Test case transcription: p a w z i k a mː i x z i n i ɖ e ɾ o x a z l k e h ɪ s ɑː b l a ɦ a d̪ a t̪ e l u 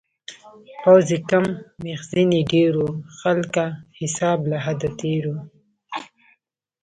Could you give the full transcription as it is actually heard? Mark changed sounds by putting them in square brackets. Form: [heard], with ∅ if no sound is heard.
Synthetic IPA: p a w z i k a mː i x z i n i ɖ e ɾ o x a [∅] l k [a] h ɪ s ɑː b l a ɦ a d̪ a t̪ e [ɾ] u